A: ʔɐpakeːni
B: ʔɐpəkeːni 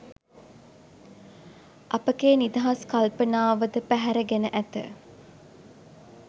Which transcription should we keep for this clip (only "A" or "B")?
B